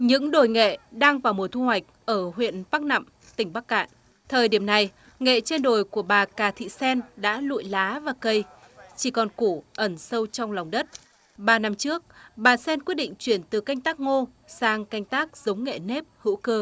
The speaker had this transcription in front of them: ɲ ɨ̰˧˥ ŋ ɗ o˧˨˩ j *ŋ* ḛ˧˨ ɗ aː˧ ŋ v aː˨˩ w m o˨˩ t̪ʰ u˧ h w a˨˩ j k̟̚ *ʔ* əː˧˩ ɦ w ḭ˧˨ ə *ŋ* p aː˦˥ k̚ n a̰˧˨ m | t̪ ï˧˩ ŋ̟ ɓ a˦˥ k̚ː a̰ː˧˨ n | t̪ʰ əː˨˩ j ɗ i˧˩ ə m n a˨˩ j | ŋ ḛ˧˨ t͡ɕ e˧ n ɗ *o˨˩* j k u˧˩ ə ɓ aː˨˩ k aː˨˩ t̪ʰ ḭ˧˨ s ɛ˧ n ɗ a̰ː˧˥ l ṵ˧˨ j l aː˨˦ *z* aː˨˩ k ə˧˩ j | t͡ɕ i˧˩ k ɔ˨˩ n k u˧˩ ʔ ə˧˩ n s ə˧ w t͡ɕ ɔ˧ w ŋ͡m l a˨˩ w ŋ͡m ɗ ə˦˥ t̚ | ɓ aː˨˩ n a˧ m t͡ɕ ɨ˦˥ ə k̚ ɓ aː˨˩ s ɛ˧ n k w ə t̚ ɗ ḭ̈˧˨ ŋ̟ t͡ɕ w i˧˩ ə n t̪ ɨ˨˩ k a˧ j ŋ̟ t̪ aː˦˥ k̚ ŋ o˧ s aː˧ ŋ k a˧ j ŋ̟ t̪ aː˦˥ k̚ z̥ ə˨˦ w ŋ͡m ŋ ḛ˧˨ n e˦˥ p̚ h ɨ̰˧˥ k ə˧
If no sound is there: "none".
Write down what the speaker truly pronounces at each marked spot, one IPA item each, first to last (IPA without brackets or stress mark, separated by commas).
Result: ŋ, ʔ, n, o˨˩, v